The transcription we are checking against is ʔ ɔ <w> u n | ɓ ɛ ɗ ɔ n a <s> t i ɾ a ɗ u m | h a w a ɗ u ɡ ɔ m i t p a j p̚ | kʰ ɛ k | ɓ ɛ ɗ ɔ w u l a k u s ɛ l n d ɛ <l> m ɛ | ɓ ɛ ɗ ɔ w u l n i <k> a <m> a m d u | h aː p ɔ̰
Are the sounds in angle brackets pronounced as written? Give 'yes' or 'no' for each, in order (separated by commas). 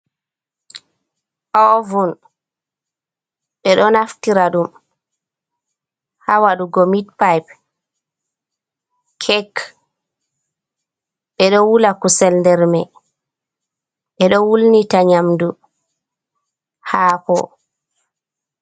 no, no, no, no, no